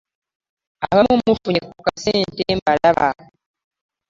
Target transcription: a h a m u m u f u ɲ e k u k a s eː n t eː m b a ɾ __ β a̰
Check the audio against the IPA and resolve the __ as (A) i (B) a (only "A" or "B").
B